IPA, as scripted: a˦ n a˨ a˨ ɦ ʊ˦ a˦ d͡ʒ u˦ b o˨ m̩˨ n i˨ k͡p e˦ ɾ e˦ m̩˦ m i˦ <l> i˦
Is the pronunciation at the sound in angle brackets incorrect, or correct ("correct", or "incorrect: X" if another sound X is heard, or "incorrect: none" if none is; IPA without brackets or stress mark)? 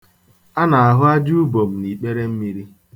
incorrect: ɾ